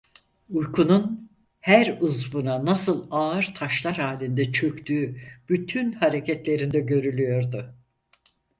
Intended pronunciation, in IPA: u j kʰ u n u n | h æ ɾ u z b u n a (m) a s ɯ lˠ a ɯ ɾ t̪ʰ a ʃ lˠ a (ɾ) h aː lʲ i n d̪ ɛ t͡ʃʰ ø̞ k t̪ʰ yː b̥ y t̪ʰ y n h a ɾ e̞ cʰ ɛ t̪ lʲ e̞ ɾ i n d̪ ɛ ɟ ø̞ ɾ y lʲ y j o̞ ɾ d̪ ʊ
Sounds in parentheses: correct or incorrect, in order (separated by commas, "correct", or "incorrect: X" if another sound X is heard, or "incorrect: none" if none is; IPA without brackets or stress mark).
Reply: incorrect: n, correct